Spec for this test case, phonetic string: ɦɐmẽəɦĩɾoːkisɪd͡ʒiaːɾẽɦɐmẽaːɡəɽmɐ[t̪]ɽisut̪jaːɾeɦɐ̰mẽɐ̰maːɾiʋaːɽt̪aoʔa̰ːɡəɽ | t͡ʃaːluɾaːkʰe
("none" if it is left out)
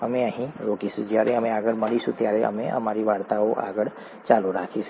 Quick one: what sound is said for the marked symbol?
none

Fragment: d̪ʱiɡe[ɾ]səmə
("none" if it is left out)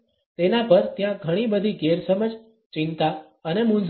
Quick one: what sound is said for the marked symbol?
ɾ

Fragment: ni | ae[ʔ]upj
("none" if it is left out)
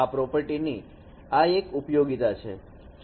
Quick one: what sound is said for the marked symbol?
k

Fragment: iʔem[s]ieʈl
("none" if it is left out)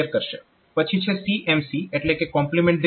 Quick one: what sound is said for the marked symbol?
s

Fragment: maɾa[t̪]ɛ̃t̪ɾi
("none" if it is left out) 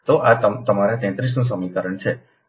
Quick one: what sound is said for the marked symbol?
t̪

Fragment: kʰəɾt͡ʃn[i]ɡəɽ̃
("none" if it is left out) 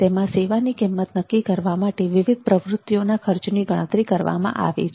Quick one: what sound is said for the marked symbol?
i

